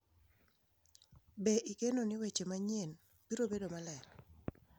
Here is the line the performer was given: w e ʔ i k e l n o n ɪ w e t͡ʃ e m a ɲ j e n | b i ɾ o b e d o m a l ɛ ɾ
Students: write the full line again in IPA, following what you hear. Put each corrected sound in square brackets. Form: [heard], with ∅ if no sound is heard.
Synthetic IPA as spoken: [b] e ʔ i k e [∅] n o n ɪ w e t͡ʃ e m a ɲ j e n | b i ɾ o b e d o m a l ɛ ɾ